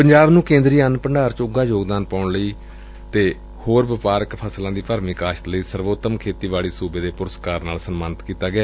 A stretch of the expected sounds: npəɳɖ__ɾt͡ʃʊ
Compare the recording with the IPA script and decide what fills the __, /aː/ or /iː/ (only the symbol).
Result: aː